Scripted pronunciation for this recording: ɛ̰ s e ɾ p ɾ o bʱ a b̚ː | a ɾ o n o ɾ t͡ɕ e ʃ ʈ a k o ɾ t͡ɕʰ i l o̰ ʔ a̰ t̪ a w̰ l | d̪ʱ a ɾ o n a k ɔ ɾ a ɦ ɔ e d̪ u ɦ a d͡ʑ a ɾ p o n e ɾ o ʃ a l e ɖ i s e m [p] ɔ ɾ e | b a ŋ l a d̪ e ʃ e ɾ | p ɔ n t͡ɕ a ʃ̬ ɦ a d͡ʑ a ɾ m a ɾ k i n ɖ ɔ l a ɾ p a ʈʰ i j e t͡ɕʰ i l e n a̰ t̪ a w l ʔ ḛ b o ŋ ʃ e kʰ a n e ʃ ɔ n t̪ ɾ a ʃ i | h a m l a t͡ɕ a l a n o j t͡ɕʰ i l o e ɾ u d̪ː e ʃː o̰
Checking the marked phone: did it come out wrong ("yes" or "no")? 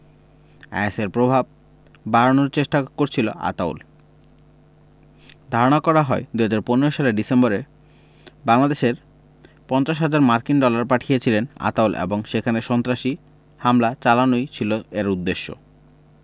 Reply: yes